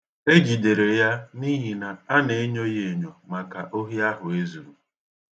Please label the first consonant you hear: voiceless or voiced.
voiced